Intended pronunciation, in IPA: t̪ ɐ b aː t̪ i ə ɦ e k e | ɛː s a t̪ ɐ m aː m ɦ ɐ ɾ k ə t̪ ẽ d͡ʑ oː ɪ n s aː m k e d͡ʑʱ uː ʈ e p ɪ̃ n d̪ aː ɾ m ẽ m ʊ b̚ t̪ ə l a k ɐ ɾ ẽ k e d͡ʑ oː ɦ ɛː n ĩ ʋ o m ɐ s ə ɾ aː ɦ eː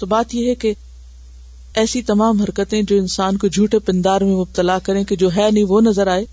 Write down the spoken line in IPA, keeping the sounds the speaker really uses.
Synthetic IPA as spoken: t̪ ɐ b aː t̪ i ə ɦ e k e | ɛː s i t̪ ɐ m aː m ɦ ɐ ɾ k ə t̪ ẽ d͡ʑ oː ɪ n s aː n k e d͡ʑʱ uː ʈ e p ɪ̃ n d̪ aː ɾ m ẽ m ʊ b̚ t̪ ə l a k ɐ ɾ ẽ k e d͡ʑ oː ɦ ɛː n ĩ ʋ o n ɐ z ə ɾ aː ɦ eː